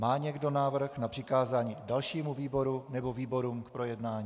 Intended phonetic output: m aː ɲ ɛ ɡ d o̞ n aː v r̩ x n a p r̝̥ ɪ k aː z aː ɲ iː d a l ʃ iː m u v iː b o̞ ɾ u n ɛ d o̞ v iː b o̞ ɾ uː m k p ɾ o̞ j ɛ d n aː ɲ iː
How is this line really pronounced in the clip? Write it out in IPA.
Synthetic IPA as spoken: m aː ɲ ɛ ɡ d o̞ n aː v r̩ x n a p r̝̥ ɪ k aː z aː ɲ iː d a l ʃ iː m u v iː b o̞ ɾ u n ɛ b o̞ v iː b o̞ ɾ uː m k p ɾ o̞ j ɛ d n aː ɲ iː